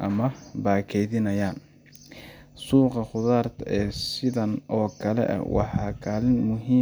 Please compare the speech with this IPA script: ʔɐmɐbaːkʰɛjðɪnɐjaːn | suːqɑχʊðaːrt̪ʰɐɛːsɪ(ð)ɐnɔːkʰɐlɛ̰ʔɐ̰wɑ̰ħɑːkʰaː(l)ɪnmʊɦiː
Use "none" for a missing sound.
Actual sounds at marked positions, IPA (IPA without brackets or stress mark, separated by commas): ð, l